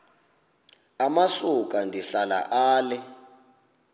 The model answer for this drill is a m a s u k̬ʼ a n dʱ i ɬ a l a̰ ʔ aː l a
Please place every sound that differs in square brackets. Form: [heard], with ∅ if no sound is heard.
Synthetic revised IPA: a m a s u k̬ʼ a n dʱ i ɬ a l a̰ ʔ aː l [ɛ]